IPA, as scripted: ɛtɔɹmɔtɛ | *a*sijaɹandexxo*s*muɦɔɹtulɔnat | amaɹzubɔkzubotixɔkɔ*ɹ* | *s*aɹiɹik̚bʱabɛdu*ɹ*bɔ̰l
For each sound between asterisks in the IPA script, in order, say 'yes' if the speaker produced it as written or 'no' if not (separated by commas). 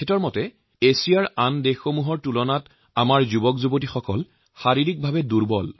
no, no, no, no, yes